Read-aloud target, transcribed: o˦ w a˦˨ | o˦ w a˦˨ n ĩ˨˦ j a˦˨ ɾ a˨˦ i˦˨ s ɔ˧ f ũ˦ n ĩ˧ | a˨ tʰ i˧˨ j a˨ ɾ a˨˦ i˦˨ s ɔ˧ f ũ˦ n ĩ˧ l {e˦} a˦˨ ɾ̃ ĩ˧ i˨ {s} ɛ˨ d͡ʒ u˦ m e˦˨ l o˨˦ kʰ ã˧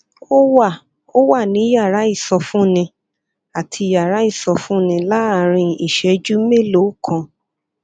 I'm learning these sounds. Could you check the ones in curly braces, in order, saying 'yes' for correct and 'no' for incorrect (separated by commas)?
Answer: no, no